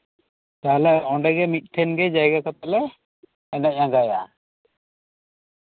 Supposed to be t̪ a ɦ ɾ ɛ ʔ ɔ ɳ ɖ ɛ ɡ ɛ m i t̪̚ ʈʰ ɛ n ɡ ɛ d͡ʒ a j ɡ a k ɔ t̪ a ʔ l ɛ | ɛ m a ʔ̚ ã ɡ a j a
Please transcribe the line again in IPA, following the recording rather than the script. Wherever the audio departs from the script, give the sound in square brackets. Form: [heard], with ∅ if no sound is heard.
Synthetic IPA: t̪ a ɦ [l] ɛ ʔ ɔ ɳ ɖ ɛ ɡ ɛ m i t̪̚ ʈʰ ɛ n ɡ ɛ d͡ʒ a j ɡ a k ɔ t̪ a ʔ l ɛ | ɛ [n] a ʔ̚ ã ɡ a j a